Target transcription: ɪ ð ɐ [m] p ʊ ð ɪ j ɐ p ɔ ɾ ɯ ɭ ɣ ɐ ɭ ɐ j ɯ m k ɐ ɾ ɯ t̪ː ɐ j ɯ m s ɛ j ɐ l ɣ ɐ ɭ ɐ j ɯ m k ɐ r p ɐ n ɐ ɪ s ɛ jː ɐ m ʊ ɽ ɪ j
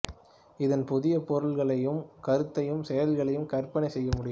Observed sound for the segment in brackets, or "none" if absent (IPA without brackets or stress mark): n